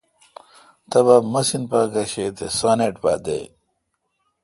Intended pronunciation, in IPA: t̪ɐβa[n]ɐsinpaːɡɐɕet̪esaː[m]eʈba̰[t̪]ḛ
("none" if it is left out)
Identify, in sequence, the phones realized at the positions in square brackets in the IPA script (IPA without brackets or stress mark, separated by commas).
m, n, d̪